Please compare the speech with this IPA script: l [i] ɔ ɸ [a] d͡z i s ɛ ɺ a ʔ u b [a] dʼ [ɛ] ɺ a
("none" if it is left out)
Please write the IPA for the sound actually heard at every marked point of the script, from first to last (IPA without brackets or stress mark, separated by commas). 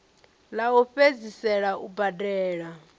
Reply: a, e, a, ɛː